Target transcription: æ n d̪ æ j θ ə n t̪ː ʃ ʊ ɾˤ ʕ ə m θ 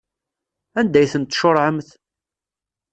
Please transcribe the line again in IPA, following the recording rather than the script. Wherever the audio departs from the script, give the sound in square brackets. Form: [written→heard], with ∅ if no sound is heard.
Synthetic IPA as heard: æ n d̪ æ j θ ə n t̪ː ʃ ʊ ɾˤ ʕ ə m θ